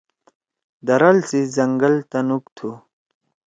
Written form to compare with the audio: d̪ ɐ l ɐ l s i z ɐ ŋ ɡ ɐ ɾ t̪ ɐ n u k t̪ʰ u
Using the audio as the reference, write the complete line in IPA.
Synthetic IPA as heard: d̪ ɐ ɾ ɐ l s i z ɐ ŋ ɡ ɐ l t̪ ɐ n u k t̪ʰ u